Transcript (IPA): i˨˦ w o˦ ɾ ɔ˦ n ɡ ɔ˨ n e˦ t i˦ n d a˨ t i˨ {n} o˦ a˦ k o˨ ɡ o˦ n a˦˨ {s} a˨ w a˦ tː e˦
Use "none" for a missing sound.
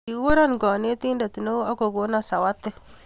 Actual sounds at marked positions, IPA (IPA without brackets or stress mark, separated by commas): n, s